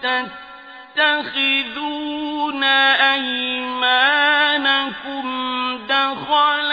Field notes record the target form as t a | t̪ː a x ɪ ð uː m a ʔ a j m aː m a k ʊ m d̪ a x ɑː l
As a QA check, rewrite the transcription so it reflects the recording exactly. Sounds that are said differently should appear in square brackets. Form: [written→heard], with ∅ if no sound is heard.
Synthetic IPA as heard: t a | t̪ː a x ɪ ð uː [m→n] a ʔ a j m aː [m→n] a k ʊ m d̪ a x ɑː l